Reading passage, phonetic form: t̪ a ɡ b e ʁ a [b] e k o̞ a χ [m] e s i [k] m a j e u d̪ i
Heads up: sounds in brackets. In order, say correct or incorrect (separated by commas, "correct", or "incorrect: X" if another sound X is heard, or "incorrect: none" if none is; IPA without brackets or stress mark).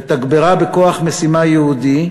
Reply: correct, correct, incorrect: none